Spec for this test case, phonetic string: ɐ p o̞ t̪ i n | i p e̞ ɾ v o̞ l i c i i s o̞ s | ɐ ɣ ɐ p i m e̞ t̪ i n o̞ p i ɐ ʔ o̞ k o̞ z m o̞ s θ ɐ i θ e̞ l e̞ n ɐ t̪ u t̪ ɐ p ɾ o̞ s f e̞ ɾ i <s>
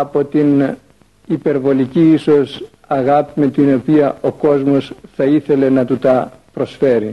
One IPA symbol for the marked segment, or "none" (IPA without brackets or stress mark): none